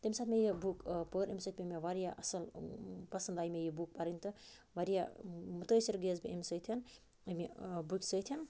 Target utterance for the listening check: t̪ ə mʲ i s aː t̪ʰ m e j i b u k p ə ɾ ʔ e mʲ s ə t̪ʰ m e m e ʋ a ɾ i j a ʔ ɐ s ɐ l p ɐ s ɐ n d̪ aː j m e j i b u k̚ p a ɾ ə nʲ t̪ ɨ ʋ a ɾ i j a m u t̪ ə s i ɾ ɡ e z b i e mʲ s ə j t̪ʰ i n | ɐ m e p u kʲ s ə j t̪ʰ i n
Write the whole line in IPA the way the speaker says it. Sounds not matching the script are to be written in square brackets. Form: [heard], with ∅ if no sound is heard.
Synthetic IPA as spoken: t̪ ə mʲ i s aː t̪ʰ m e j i b u k p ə ɾ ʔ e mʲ s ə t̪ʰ m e m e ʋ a ɾ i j a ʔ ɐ s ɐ l p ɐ s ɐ n d̪ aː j m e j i b u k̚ p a ɾ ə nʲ t̪ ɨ ʋ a ɾ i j a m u t̪ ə s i ɾ ɡ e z b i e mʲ s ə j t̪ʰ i n | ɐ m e [b] u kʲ s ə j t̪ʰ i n